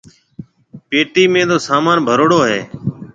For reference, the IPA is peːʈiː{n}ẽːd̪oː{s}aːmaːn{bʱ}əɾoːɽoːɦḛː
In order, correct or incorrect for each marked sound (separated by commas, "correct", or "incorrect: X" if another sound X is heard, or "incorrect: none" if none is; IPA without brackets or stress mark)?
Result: incorrect: m, correct, correct